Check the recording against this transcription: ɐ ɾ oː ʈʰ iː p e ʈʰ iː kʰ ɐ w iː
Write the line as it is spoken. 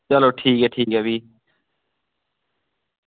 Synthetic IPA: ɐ l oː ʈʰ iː k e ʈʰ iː k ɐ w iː